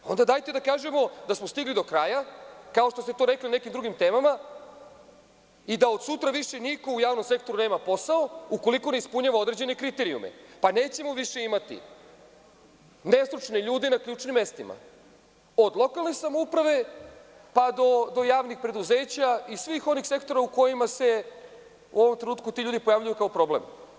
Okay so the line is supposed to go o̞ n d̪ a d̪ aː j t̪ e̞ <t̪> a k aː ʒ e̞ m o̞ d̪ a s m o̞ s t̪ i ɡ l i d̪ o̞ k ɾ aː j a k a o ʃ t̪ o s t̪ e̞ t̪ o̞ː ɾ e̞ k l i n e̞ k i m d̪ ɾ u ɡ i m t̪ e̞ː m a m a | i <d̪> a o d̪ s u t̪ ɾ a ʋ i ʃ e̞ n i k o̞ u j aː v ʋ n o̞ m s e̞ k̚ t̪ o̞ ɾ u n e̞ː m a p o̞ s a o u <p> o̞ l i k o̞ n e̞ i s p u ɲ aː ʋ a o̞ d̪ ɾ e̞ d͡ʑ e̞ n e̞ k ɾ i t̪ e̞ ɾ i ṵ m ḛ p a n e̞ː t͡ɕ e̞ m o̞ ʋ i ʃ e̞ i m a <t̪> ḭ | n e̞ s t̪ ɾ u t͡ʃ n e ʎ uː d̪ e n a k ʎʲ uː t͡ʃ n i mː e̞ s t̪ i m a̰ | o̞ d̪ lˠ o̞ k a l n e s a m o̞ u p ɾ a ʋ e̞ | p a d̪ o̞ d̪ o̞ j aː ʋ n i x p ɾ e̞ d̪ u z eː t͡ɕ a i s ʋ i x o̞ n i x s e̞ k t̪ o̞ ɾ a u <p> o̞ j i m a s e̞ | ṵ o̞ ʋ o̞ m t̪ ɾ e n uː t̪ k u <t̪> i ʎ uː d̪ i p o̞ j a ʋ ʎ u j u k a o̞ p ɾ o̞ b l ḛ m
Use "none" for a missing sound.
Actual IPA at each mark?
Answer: d̪, d̪, k, t̪, k, t̪

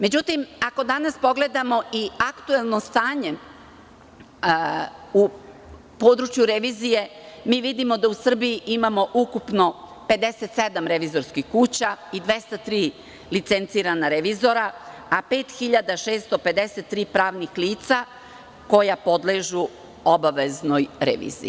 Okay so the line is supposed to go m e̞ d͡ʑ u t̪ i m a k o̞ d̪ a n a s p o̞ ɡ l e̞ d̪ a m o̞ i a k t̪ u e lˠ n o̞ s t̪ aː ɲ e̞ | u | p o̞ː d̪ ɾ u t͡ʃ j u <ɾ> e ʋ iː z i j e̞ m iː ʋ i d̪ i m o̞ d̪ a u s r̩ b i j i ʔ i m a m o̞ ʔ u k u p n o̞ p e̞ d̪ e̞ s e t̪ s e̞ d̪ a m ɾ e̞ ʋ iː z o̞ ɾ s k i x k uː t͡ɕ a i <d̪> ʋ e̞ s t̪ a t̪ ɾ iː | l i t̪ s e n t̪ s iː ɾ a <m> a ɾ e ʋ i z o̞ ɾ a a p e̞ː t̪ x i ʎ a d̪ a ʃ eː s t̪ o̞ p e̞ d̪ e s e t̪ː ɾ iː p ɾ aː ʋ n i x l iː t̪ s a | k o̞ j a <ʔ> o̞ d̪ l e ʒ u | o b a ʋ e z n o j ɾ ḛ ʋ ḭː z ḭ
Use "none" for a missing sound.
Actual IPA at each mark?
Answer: ɾ, d̪, n, p

